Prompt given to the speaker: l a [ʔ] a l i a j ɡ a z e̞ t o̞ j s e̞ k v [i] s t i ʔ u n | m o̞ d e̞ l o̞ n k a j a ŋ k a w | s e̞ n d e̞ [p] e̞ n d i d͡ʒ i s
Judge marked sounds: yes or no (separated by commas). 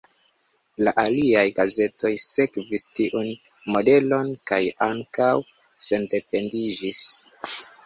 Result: yes, yes, yes